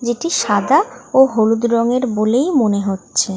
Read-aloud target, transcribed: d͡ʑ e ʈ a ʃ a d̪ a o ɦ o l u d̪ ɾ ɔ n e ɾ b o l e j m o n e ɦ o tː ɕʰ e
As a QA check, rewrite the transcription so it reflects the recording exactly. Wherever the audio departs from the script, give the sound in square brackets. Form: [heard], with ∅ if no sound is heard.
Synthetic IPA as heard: d͡ʑ e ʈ [i] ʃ a d̪ a o ɦ o l u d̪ ɾ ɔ [ŋ] e ɾ b o l e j m o n e ɦ o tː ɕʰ e